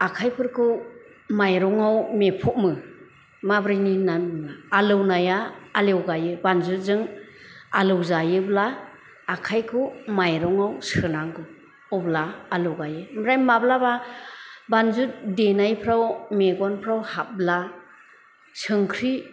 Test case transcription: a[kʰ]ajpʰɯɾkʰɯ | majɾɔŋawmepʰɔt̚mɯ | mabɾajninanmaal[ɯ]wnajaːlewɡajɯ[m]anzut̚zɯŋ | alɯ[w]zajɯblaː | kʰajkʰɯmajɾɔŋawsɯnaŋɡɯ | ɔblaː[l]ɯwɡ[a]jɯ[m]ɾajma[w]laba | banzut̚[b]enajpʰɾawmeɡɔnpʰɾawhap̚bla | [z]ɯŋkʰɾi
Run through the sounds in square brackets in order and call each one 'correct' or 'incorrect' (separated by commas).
correct, correct, incorrect, correct, correct, correct, correct, incorrect, incorrect, incorrect